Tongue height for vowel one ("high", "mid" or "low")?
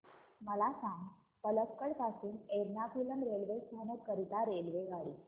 mid